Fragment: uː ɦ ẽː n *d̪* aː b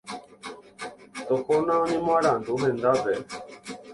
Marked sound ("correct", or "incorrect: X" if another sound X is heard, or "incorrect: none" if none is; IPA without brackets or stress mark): correct